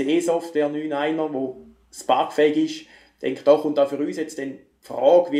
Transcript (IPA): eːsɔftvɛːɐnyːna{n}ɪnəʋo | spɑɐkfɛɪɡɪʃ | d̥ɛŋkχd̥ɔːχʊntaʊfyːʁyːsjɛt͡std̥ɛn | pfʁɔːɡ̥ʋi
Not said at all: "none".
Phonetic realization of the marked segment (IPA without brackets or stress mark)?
none